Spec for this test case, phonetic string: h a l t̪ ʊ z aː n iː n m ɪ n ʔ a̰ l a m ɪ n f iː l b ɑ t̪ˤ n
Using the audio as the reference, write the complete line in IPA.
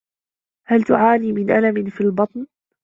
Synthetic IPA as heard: h a l t̪ ʊ ʕ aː n iː m ɪ n ʔ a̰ l a m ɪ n f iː l b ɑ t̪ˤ n